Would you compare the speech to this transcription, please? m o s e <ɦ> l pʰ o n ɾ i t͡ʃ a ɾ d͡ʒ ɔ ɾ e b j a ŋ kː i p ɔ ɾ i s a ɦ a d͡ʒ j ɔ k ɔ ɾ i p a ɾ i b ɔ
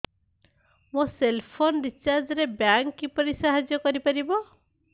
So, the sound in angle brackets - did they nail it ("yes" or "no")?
no